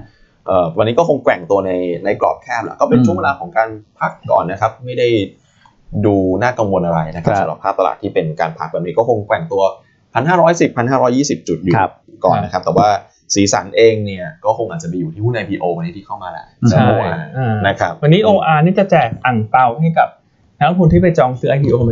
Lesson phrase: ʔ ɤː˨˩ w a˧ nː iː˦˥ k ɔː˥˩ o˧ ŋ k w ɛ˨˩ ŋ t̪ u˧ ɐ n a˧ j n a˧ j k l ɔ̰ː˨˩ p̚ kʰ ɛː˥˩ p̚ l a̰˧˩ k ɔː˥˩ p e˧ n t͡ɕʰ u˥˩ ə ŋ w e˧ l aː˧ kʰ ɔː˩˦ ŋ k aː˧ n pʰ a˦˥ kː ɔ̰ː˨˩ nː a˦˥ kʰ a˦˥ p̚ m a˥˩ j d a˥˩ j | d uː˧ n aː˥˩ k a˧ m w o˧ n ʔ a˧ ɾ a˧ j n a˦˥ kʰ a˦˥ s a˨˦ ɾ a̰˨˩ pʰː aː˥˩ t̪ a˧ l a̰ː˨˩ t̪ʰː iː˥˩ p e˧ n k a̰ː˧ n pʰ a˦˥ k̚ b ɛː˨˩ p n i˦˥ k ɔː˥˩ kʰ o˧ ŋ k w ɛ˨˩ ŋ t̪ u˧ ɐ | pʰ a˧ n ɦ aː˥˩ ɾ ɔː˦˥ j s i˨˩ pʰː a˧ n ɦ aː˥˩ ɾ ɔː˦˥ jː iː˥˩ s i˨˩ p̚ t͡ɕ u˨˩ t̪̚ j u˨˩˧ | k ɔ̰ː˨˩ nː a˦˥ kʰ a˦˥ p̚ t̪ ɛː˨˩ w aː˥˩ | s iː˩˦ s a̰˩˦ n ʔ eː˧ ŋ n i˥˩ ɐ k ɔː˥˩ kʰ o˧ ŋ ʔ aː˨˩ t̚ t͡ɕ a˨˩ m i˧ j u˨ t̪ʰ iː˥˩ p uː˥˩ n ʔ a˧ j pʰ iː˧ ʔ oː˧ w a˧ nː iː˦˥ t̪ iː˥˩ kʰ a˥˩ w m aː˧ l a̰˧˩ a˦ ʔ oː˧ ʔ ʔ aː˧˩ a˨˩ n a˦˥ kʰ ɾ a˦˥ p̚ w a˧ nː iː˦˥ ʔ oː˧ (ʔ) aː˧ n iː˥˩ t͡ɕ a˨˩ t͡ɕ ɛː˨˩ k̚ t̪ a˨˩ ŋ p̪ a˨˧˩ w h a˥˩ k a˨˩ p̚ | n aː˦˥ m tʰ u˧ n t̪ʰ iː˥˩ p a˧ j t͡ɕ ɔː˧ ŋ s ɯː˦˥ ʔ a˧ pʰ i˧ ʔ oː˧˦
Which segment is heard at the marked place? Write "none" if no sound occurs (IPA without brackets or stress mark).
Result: ʔ